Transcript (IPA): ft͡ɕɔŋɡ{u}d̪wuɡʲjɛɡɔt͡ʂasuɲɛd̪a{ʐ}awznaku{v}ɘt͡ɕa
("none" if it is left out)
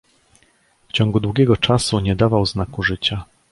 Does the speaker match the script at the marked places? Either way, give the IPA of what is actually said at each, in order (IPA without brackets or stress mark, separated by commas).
u, v, ʐ